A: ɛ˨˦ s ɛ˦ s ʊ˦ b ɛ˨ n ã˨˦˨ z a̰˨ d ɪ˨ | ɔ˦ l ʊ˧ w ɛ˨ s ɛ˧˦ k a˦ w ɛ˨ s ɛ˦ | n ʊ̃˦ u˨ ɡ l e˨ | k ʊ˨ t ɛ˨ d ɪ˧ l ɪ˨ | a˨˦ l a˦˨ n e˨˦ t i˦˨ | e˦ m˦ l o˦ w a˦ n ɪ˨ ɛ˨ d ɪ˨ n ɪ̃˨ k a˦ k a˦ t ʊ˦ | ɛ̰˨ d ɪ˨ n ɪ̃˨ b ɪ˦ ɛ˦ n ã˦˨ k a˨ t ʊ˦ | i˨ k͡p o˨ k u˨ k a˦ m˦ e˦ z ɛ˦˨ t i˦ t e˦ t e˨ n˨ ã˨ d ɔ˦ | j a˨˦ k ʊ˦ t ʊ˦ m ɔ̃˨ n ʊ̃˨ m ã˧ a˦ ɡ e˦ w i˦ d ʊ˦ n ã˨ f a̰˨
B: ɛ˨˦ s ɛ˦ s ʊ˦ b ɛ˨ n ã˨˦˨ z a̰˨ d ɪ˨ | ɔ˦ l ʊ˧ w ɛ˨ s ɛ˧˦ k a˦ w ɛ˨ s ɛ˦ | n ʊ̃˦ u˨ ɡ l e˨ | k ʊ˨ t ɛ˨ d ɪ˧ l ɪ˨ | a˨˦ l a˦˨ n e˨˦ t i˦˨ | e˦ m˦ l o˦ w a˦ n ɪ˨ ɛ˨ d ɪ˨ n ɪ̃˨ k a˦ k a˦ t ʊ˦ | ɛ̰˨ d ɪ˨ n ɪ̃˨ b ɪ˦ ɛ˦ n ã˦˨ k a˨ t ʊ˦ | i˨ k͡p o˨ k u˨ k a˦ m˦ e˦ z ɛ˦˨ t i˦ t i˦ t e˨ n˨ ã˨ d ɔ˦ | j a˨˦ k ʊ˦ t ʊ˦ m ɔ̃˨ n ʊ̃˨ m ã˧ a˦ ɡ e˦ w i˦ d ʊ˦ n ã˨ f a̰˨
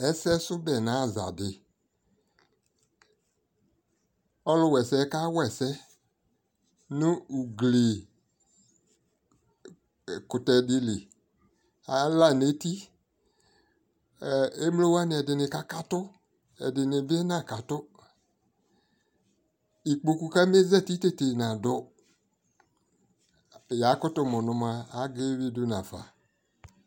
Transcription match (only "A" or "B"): A